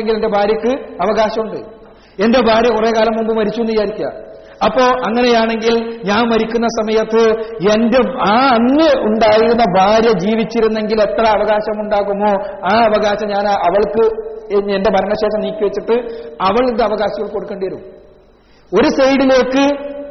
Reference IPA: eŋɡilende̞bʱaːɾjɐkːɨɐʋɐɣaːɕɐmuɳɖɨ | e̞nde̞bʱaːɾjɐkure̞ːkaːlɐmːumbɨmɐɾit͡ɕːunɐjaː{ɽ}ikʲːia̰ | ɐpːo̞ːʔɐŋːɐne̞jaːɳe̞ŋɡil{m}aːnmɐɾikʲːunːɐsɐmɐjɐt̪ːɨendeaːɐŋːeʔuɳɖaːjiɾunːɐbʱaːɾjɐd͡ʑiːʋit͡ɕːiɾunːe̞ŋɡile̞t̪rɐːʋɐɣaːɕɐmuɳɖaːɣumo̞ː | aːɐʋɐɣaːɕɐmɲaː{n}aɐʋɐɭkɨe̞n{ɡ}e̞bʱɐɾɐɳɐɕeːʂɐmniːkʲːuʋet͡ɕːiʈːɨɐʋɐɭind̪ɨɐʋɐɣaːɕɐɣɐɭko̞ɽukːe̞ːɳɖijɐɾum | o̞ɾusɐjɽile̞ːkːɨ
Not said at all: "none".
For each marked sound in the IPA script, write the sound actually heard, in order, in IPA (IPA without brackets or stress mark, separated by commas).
ɾ, ɲ, n, d